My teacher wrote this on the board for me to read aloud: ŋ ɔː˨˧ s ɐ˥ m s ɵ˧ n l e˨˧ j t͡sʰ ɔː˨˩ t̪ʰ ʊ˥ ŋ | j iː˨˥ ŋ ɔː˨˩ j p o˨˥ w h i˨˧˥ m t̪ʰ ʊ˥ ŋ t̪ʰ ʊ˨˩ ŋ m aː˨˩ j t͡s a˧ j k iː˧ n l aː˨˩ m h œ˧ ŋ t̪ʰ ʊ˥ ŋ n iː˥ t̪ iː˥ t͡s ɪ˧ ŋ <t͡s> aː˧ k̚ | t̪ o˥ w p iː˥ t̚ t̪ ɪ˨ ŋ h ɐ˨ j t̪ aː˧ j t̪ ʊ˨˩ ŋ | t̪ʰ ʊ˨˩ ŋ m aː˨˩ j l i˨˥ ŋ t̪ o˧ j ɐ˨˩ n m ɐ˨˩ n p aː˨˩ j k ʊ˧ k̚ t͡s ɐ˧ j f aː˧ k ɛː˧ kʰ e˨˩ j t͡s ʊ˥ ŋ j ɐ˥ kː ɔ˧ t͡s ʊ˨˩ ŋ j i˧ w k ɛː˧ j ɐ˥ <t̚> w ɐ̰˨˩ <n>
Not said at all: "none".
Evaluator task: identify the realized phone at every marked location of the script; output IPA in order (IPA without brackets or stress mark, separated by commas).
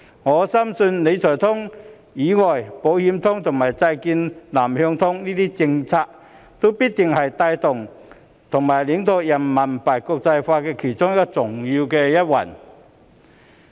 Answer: t͡sʰ, t̚, n